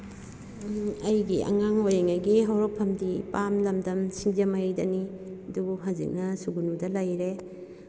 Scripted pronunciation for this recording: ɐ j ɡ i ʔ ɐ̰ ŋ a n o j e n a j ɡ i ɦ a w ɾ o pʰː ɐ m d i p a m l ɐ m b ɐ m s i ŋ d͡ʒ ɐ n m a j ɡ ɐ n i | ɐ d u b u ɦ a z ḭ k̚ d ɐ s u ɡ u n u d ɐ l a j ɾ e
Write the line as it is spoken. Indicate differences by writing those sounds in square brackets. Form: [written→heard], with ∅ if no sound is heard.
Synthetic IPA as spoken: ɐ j ɡ i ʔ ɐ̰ ŋ a [n→ŋ] o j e [n→ŋ] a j ɡ i ɦ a w ɾ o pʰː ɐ m d i p a m l ɐ m [b→d] ɐ m s i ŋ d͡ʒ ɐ [n→∅] m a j [ɡ→d] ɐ n i | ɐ d u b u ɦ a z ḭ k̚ [d→n] ɐ s u ɡ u n u d ɐ l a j ɾ e